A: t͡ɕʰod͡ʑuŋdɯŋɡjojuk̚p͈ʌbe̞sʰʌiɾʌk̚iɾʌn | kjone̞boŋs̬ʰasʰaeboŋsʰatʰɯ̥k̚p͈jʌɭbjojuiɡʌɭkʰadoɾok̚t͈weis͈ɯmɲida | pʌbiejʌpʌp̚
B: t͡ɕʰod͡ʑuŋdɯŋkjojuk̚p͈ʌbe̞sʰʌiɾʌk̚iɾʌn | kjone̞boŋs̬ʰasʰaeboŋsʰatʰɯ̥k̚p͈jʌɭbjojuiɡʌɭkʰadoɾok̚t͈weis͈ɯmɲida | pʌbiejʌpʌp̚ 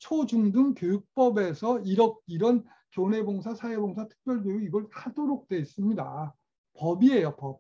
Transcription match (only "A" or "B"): B